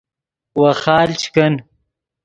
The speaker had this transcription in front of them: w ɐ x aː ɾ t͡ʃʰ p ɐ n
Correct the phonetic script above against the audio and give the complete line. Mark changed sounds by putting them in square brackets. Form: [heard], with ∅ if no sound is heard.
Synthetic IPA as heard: w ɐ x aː [l] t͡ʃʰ [k] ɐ n